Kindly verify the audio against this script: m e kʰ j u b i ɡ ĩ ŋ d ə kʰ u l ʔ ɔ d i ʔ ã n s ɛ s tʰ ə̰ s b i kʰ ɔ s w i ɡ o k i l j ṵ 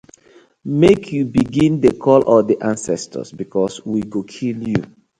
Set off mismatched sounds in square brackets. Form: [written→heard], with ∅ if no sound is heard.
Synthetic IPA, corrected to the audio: m e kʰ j u b i ɡ ĩ [ŋ→n] d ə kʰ [u→ɔ] l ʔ ɔ d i ʔ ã n s ɛ s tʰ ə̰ s b i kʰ ɔ s w i ɡ o [k→kʰ] i l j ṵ